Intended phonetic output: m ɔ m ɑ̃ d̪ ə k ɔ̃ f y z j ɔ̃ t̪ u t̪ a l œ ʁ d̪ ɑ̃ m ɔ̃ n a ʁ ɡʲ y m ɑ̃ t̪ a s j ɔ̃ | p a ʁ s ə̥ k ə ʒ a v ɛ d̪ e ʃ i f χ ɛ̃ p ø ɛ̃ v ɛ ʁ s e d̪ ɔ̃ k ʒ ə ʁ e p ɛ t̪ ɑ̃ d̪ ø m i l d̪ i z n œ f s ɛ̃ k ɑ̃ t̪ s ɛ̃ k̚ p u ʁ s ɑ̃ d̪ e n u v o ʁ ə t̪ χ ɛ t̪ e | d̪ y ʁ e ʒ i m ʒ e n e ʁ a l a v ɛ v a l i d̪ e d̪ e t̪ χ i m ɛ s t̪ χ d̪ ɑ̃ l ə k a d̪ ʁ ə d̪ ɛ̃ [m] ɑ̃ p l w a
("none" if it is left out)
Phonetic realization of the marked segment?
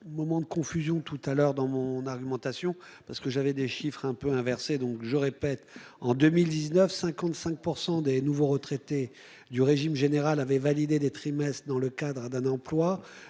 n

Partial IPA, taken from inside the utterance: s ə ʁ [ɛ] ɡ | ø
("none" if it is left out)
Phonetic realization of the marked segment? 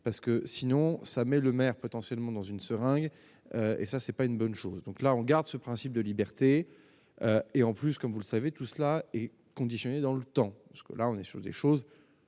ɛ̃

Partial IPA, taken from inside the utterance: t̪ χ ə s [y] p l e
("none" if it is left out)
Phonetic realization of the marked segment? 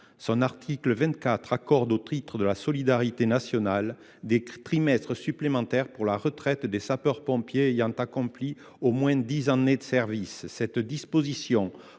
y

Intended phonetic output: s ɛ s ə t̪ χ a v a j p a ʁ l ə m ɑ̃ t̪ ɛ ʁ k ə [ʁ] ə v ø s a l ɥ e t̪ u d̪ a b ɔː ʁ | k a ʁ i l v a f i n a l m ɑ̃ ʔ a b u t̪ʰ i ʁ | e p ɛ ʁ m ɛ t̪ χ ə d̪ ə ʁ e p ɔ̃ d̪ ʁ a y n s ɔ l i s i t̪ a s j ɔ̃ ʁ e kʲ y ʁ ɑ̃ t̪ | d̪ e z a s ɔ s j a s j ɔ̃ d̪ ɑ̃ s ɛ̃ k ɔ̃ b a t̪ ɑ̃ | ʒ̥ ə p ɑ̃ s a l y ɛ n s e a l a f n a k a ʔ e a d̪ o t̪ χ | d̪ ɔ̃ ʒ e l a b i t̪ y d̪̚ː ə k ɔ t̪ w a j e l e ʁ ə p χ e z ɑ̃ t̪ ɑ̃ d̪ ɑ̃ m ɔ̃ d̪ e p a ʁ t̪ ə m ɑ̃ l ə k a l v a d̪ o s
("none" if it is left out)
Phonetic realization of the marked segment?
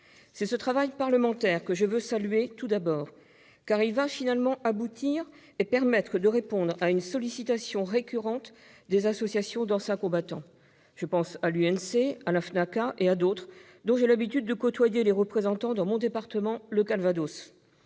ʒ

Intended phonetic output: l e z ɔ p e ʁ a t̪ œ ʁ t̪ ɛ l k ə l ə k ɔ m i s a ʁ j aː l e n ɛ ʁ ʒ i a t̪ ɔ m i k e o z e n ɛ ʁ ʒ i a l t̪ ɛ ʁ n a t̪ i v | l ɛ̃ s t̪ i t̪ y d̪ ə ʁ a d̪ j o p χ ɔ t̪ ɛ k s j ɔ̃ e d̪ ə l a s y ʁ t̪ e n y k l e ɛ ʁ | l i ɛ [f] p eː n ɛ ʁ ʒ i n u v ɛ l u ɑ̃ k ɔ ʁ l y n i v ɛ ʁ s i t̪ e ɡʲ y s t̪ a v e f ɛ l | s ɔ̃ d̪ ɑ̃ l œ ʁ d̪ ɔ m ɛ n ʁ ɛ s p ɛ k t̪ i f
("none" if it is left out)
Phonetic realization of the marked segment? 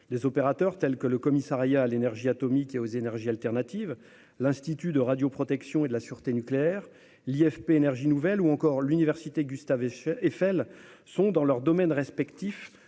f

